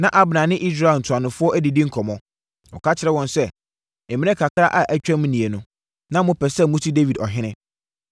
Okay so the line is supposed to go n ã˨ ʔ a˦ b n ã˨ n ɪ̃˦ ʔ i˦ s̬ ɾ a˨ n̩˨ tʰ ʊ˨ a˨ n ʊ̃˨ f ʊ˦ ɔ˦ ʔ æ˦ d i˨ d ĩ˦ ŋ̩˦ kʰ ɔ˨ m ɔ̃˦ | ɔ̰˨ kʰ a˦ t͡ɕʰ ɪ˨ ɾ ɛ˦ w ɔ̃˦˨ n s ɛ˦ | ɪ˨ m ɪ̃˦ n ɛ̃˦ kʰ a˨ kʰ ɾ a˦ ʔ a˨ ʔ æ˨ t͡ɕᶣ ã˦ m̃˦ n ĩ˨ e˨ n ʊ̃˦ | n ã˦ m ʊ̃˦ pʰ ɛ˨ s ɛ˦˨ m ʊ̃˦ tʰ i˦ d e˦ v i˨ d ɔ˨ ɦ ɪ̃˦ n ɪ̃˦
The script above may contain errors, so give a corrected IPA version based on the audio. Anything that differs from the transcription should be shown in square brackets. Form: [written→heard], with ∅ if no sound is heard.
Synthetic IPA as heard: n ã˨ ʔ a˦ b n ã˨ n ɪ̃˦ ʔ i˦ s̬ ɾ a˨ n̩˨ tʰ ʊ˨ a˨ n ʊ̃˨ f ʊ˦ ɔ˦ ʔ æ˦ d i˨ d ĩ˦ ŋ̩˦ kʰ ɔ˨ m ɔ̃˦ | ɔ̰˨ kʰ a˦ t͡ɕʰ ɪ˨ ɾ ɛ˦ w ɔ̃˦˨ n s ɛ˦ | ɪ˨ m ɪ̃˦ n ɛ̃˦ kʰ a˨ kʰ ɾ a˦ ʔ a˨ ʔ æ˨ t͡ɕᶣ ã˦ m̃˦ n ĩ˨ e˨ n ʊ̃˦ | n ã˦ m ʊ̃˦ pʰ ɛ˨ s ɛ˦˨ m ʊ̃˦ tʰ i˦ d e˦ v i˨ d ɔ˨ ɦ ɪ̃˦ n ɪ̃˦